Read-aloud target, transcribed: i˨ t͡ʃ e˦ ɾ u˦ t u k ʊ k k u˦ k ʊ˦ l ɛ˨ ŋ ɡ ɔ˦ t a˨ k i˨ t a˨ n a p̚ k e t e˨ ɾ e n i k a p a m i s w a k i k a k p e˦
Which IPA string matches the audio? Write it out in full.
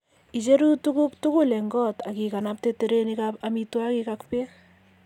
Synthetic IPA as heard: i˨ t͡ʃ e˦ ɾ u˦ t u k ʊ k t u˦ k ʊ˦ l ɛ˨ ŋ ɡ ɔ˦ t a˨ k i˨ k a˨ n a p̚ t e t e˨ ɾ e n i k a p a m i t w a k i k a k p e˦